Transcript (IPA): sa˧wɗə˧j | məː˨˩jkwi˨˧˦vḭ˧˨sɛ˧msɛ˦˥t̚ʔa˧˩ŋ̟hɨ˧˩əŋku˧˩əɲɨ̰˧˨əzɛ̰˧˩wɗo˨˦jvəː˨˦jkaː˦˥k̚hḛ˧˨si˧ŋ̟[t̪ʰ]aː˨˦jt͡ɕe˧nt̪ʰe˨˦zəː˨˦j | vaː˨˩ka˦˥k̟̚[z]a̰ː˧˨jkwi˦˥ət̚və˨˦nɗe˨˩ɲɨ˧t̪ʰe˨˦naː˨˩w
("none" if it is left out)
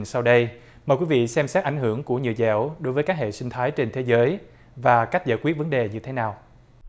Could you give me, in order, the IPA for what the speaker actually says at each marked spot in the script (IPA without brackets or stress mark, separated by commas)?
t̪ʰ, z